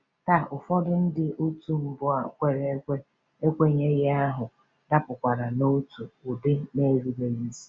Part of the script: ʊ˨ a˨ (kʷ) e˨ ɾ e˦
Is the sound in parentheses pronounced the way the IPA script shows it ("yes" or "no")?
yes